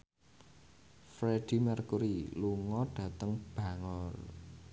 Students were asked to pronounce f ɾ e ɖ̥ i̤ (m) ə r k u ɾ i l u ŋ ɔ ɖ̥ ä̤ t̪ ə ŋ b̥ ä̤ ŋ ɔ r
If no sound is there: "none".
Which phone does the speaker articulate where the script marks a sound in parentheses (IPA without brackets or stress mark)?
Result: m